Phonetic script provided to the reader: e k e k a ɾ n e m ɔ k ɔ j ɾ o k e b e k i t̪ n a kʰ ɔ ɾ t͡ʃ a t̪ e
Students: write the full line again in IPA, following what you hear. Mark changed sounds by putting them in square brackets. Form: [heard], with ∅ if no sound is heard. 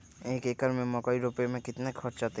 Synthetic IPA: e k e k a ɾ [m] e m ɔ k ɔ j ɾ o [p] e [m] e k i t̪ n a kʰ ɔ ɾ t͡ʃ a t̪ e